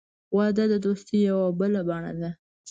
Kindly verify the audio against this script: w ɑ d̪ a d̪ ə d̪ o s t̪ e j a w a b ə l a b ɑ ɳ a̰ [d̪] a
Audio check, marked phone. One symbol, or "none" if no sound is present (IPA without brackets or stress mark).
d̪